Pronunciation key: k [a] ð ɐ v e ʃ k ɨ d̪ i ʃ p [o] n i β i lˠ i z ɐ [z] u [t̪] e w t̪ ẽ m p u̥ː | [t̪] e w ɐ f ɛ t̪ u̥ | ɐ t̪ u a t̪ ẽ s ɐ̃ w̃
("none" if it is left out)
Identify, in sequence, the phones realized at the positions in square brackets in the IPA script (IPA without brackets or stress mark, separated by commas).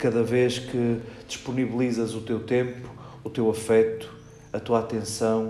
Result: ɐ, u, z, t̪, t̪